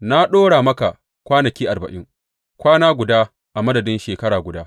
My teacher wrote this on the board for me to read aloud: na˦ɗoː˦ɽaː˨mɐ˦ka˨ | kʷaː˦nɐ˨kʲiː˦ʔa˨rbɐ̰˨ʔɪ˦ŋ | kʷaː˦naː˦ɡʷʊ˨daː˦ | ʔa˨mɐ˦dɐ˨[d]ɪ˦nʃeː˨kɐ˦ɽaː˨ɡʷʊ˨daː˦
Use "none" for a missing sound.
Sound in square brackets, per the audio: d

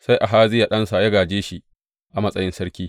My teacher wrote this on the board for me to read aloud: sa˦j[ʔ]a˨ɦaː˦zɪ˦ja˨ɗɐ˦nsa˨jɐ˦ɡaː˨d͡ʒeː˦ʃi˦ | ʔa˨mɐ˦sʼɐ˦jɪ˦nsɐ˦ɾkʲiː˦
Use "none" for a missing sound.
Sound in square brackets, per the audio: ʔ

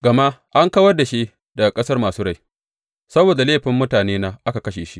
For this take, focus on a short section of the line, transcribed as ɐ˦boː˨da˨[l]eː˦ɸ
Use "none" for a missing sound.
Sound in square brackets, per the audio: l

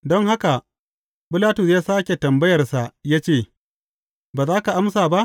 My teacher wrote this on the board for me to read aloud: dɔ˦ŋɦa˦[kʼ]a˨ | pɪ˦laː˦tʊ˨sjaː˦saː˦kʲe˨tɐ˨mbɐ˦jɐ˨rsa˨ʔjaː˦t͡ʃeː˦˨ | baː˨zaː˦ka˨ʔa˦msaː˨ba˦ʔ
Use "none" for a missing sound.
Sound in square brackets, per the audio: k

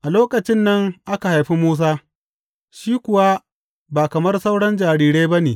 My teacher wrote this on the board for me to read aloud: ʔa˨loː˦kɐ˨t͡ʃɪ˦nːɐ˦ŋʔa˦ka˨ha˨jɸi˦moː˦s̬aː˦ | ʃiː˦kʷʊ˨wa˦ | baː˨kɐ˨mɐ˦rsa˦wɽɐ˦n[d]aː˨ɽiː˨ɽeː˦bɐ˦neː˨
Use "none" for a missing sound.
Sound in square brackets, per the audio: d͡ʒ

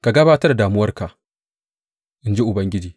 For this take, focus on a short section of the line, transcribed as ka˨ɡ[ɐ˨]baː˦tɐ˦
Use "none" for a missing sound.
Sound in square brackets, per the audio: ɐ˦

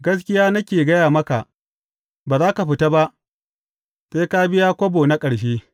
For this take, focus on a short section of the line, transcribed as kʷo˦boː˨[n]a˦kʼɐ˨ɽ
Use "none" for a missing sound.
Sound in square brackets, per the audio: n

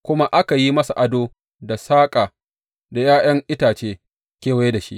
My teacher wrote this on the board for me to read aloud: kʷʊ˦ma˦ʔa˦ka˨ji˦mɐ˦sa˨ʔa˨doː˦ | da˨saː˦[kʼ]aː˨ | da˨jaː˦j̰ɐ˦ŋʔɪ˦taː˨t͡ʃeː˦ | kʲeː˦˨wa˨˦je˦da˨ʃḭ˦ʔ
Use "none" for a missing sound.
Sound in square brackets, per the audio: kʼ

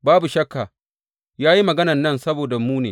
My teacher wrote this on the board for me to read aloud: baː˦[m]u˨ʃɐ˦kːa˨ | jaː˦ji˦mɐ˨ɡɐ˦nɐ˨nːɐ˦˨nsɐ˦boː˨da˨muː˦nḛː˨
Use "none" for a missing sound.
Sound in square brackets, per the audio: b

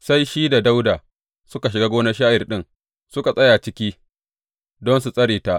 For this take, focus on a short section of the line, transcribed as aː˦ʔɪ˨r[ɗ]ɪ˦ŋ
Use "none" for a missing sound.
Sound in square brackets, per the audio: ɗ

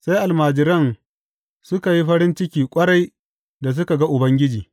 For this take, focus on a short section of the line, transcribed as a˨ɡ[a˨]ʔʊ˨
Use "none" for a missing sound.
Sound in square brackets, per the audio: a˦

